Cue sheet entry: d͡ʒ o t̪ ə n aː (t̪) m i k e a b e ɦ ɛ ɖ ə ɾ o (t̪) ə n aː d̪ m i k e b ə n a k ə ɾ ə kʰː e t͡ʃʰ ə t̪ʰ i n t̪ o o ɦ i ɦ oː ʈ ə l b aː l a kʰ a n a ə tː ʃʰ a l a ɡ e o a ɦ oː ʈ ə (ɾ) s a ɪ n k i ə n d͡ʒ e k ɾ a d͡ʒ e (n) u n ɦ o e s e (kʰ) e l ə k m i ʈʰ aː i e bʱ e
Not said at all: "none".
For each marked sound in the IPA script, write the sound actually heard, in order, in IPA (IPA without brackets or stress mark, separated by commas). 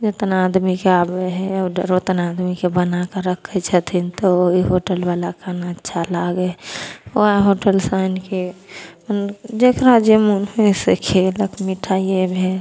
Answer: d̪, t̪, l, m, kʰ